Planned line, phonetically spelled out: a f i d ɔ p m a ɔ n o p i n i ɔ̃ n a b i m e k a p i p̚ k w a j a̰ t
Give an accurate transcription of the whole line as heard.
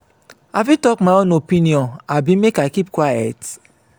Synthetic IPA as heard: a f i t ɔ k m a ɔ n o p i n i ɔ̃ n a b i m e k a k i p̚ k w a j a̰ t